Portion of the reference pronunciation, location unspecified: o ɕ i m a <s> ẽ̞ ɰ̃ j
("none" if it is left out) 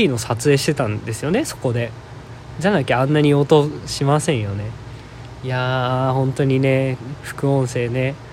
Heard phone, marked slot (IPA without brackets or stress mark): s